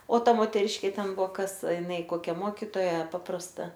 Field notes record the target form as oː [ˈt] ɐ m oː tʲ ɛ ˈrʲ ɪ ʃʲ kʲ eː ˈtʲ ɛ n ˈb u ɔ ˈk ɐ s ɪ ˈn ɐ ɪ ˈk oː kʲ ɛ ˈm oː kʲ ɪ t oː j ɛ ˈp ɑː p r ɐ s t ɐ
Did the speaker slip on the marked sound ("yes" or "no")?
no